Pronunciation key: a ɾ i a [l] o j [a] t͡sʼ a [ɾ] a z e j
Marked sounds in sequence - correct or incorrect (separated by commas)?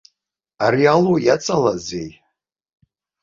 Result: correct, correct, incorrect